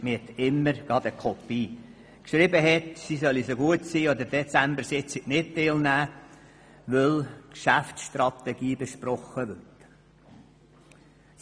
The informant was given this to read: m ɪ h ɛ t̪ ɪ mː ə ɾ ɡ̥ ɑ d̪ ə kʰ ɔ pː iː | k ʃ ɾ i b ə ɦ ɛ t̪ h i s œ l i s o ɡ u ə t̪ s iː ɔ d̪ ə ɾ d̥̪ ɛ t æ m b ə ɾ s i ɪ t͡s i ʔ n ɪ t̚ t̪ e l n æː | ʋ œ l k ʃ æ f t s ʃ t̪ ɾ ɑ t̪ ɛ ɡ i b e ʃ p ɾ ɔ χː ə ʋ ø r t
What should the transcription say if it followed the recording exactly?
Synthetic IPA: m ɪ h ɛ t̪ ɪ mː ə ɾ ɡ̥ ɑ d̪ ə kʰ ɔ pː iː | k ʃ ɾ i b ə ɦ ɛ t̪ s i s œ l i s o ɡ u ə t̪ s iː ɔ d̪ ə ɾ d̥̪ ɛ t͡s æ m b ə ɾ s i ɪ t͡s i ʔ n ɪ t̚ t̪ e l n æː | ʋ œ l k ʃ æ f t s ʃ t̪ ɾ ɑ t̪ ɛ ɡ iː b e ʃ p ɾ ɔ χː ə ʋ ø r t